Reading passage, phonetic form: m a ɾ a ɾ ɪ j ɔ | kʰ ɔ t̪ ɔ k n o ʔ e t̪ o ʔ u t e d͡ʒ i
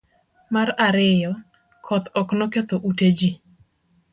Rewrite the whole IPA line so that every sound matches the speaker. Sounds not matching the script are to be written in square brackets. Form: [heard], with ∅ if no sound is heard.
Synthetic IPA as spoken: m a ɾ a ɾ ɪ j ɔ | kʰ ɔ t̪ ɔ k n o [k] e t̪ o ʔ u t e d͡ʒ i